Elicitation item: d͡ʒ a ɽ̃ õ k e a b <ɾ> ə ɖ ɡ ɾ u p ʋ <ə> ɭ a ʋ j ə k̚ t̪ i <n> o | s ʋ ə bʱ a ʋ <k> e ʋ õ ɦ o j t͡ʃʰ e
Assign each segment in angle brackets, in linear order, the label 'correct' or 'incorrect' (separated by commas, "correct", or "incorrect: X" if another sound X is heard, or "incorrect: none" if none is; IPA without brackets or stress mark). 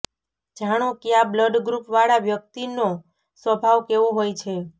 incorrect: l, incorrect: a, correct, correct